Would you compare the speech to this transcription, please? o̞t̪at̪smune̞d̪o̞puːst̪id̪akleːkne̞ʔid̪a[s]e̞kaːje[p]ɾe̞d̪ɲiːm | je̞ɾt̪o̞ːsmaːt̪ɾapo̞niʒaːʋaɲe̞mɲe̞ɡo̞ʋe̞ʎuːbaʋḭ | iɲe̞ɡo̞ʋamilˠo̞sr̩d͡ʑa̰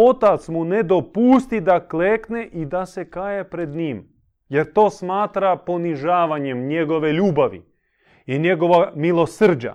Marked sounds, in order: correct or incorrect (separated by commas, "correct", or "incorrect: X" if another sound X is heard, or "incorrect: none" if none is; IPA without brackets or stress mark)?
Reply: correct, correct